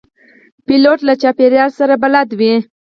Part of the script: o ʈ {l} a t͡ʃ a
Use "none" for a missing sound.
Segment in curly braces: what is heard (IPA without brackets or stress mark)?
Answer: l